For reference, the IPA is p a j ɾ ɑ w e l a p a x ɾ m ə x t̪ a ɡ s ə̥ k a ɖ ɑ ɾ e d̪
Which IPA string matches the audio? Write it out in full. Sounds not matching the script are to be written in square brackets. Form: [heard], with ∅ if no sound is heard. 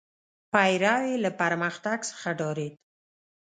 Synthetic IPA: p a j ɾ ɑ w e l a p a [∅] ɾ m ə x t̪ a ɡ s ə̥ [x] a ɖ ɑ ɾ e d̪